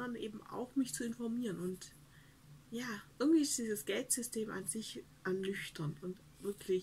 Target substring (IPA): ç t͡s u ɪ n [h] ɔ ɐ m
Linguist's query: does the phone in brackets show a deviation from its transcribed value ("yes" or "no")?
yes